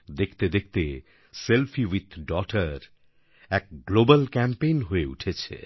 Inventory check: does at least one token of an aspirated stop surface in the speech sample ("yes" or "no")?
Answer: yes